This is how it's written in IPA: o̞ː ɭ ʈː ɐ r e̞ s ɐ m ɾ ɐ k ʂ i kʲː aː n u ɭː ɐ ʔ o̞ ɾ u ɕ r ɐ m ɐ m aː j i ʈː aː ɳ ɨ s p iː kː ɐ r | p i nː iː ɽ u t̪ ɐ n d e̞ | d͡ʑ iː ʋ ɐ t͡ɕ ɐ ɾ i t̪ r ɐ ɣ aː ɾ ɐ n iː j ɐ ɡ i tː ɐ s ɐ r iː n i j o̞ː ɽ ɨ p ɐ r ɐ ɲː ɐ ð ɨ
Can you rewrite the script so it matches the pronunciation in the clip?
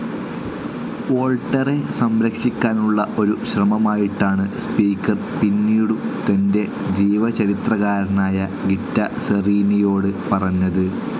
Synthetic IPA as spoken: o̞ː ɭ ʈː ɐ r e̞ s ɐ m ɾ ɐ k ʂ i kʲː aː n u ɭː ɐ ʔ o̞ ɾ u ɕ r ɐ m ɐ m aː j i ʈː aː ɳ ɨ s p iː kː ɐ r | p i nː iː ɽ u t̪ ɐ n d e̞ | d͡ʑ iː ʋ ɐ t͡ɕ ɐ ɾ i t̪ r ɐ ɣ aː ɾ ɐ n aː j ɐ ɡ i tː ɐ s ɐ r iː n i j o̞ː ɽ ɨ p ɐ r ɐ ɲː ɐ ð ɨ